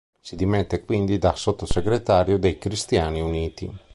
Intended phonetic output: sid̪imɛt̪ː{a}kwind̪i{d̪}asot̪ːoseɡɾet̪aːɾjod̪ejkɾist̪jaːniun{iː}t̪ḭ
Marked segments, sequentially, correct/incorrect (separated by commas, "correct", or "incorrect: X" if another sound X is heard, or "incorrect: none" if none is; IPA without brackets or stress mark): incorrect: e, correct, correct